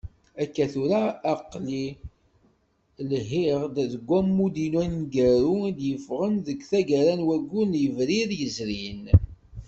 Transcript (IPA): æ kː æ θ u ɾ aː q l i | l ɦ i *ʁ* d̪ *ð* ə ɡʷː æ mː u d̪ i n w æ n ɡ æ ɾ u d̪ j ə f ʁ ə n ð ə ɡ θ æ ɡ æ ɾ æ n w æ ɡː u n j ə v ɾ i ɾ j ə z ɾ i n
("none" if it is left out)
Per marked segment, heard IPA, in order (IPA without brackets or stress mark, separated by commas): ʁ, ð